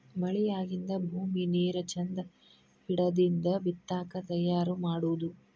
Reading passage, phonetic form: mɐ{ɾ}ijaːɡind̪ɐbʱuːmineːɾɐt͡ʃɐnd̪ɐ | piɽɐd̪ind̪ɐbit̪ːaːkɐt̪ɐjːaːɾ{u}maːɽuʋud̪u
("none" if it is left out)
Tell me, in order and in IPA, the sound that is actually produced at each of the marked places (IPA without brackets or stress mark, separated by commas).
ɭ, u